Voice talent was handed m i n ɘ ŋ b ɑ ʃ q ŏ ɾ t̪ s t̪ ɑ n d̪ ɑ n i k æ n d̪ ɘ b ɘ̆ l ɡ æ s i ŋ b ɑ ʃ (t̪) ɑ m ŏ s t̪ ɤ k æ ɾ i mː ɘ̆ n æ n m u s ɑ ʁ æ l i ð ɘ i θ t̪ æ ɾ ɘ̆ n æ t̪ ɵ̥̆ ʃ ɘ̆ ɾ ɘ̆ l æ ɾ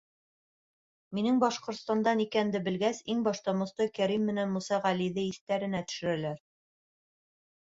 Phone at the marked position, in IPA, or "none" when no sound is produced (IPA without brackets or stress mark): t̪